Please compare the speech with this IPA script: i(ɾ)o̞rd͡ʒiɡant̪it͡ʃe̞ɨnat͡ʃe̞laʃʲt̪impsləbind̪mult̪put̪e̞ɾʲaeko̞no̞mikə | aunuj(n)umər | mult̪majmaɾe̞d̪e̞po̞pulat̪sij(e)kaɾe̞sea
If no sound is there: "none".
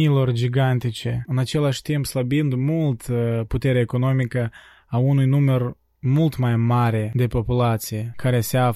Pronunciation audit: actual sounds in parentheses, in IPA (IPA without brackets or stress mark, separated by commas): l, n, e